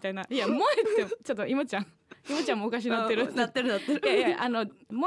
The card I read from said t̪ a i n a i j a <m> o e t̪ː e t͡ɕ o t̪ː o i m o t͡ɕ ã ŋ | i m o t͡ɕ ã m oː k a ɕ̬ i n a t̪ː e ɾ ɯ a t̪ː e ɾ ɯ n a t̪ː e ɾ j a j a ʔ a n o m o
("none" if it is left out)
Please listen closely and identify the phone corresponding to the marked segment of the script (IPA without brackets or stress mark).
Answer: m